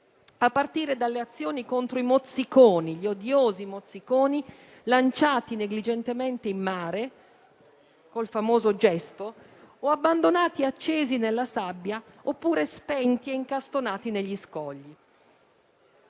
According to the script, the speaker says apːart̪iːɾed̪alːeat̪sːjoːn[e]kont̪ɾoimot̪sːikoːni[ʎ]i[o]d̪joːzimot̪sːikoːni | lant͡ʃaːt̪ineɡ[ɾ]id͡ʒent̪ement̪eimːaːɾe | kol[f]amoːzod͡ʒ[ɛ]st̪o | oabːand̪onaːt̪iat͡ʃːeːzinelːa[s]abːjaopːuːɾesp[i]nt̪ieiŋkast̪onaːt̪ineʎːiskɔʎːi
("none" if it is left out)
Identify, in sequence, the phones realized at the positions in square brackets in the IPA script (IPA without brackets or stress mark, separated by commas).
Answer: i, ʎ, o, l, f, ɛ, s, ɛ